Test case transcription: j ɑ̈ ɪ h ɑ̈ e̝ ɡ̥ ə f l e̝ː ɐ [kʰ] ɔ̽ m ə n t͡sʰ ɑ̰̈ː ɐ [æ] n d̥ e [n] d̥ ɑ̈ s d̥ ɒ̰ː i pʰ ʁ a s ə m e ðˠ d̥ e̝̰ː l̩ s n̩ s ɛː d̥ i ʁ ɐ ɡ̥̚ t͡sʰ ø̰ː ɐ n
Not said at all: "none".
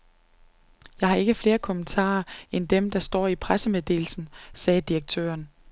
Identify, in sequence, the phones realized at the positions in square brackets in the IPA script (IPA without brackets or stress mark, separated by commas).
kʰ, e, m